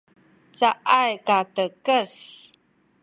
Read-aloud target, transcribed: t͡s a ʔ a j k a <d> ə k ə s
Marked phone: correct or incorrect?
incorrect